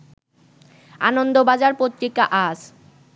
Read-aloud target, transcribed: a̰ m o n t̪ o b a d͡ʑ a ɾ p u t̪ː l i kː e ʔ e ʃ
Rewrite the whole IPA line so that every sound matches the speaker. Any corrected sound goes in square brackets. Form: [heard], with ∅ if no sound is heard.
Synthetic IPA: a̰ [n] o n [d̪] o b a d͡ʑ a ɾ p [o] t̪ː [ɾ] i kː [a] ʔ [a] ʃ